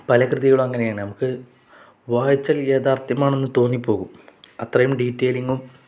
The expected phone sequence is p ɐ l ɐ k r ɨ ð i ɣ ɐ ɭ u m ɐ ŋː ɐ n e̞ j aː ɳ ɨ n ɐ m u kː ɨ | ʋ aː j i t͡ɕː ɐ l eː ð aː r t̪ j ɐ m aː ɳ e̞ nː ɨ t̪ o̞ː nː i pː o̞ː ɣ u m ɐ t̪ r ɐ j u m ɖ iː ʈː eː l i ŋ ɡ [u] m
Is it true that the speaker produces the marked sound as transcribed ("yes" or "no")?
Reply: yes